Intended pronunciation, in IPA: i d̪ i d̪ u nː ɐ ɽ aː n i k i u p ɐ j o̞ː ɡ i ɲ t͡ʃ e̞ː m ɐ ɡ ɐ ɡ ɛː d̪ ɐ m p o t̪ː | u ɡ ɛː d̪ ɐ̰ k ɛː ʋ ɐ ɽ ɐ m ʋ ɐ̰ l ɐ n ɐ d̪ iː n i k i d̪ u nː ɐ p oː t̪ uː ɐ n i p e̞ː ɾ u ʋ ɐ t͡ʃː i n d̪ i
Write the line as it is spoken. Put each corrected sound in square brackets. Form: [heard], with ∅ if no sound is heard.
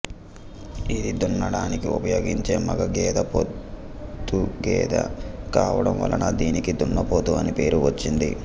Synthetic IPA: i d̪ i d̪ u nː ɐ ɽ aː n i k i u p ɐ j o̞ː ɡ i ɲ t͡ʃ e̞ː m ɐ ɡ ɐ ɡ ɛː d̪ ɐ [∅] p o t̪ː | u ɡ ɛː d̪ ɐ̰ k [aː] ʋ ɐ ɽ ɐ m ʋ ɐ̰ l ɐ n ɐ d̪ iː n i k i d̪ u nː ɐ p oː t̪ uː ɐ n i p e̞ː ɾ u ʋ ɐ t͡ʃː i n d̪ i